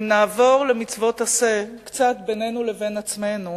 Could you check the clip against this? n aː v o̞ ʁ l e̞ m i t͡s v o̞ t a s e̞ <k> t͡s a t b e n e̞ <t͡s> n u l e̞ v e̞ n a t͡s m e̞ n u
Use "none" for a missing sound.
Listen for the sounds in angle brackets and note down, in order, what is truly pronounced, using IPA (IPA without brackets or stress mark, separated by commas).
k, none